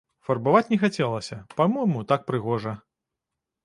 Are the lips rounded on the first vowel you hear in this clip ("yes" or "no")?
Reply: no